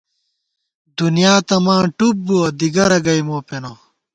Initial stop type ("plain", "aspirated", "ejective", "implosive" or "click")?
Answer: plain